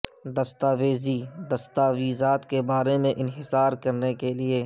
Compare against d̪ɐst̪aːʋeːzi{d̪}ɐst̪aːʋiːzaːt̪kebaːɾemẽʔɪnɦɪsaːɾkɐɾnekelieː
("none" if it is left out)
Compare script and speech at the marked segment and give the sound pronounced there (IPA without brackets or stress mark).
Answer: d̪